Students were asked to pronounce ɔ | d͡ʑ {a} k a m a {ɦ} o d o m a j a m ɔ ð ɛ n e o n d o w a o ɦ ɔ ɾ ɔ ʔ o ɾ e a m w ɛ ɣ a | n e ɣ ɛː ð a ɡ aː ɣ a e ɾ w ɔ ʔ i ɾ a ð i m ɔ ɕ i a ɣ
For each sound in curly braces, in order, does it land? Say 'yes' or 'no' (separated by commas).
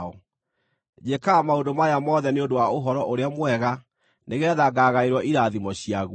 no, no